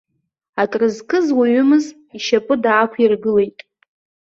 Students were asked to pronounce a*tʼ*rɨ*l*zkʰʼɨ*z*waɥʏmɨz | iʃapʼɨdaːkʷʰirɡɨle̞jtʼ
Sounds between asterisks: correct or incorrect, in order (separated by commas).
correct, incorrect, correct